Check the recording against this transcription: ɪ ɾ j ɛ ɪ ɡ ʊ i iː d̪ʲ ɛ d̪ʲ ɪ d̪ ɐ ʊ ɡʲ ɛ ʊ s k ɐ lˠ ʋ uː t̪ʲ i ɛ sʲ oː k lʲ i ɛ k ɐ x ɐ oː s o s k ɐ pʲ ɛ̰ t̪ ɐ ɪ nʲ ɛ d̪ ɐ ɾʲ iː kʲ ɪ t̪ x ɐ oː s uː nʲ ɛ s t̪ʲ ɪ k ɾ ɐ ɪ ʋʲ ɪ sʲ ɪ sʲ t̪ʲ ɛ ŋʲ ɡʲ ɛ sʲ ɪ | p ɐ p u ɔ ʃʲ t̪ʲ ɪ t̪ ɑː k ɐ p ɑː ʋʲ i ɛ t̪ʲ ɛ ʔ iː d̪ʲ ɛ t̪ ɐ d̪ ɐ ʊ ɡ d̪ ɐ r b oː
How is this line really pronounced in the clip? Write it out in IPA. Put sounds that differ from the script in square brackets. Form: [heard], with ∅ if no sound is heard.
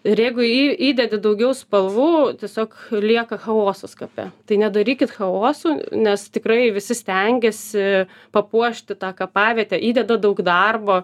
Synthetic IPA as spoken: ɪ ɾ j ɛ ɪ ɡ ʊ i iː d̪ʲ ɛ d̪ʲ ɪ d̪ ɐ ʊ ɡʲ ɛ ʊ s [p] ɐ lˠ ʋ uː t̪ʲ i ɛ sʲ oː k lʲ i ɛ k ɐ x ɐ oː s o s k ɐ pʲ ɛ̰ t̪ ɐ ɪ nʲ ɛ d̪ ɐ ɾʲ iː kʲ ɪ t̪ x ɐ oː s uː nʲ ɛ s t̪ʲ ɪ k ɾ ɐ ɪ ʋʲ ɪ sʲ ɪ sʲ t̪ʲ ɛ ŋʲ ɡʲ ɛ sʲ ɪ | p ɐ p u ɔ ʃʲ t̪ʲ ɪ t̪ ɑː k ɐ p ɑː ʋʲ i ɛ t̪ʲ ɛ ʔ iː d̪ʲ ɛ [d̪] ɐ d̪ ɐ ʊ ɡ d̪ ɐ r b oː